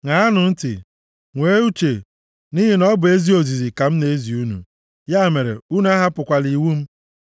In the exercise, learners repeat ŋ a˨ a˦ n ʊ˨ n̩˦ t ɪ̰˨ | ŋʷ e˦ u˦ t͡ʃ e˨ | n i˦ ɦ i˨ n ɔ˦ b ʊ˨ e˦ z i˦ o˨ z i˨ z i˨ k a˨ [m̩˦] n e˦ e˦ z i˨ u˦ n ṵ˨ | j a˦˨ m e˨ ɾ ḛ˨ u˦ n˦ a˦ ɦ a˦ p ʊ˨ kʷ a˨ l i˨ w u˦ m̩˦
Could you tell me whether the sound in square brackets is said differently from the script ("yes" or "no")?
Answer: no